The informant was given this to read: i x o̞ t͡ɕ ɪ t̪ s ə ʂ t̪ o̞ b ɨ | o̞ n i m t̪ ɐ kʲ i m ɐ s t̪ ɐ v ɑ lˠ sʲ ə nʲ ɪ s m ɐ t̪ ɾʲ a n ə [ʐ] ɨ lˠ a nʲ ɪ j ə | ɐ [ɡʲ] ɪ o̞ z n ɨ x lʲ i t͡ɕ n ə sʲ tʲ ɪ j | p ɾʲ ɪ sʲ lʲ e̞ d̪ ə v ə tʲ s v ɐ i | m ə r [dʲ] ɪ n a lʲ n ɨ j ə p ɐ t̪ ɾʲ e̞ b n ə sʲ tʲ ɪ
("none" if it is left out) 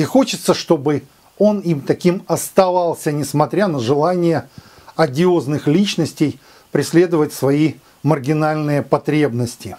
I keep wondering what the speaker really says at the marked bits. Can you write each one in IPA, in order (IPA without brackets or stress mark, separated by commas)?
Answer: ʐ, dʲ, ɡʲ